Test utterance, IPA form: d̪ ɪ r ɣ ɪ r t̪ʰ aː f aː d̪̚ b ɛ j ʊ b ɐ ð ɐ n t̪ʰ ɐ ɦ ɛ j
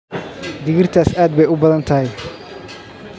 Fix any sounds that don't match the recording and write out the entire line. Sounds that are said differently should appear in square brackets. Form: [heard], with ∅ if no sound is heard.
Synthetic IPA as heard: d̪ ɪ [∅] ɣ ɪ r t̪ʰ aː [s] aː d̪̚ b ɛ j ʊ b ɐ ð ɐ n t̪ʰ ɐ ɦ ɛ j